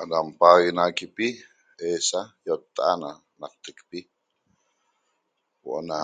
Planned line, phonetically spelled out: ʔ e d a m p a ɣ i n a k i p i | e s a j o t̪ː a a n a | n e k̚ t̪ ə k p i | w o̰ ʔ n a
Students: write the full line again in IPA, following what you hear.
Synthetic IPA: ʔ a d a m p a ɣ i n a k i p i | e s a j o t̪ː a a n a | n a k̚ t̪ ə k p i | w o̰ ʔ n a